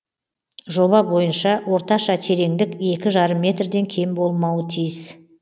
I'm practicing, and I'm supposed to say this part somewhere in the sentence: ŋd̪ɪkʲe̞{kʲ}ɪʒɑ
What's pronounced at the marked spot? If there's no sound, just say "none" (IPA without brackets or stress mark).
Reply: kʲ